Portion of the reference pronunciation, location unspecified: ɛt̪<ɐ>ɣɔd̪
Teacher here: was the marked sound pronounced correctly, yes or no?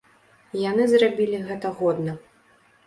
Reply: yes